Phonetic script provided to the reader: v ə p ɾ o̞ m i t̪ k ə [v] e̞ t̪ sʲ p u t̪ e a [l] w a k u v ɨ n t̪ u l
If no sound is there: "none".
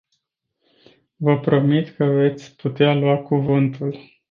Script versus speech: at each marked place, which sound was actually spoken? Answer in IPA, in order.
v, l

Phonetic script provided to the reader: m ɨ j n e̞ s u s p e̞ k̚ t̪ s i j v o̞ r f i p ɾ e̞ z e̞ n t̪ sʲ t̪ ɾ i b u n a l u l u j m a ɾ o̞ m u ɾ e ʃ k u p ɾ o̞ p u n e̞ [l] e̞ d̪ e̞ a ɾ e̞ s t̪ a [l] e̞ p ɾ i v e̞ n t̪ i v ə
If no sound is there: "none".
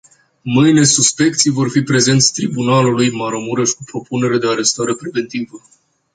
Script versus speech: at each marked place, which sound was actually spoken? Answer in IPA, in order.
ɾ, ɾ

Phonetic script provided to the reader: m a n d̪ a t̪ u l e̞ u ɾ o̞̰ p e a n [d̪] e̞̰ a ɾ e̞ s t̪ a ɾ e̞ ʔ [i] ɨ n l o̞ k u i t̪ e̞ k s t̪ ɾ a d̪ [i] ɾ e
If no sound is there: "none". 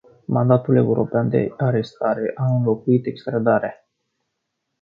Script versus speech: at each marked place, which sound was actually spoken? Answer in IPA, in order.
d̪, a, a

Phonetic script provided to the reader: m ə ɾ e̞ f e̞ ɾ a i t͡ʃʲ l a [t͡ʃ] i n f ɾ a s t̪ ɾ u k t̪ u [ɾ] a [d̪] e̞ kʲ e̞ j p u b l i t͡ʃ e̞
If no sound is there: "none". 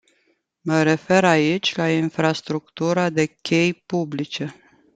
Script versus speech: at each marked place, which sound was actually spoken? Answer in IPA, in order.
none, ɾ, d̪

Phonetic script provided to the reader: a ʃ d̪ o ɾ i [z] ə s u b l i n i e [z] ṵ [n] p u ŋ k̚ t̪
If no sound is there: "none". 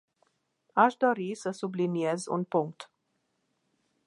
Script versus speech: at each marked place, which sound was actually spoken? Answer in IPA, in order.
s, z, n

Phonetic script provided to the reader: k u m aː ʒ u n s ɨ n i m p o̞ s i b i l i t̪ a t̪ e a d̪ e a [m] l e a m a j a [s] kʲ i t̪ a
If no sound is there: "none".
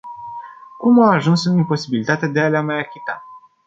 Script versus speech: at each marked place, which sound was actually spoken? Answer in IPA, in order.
none, none

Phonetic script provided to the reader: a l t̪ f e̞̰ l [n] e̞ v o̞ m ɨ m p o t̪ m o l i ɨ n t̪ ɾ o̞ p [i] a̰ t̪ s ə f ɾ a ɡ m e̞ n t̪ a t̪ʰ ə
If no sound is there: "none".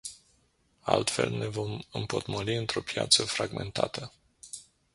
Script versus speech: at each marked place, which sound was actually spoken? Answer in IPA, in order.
n, j

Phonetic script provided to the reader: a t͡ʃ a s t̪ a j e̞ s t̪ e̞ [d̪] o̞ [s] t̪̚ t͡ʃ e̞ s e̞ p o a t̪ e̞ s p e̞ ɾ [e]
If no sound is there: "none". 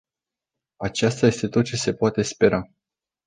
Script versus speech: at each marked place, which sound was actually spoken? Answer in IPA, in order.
t̪, none, a

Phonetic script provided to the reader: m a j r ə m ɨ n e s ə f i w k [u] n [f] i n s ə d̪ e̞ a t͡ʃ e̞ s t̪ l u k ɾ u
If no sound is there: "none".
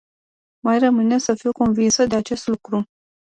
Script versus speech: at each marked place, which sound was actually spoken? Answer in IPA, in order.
o, v

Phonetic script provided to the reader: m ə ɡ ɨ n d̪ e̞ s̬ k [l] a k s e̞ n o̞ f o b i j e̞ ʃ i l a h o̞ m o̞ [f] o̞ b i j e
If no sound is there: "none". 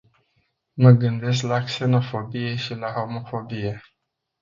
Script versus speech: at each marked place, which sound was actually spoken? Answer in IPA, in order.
l, f

